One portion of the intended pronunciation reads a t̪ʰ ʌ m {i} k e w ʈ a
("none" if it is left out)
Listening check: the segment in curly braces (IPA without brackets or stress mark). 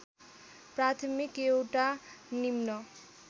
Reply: i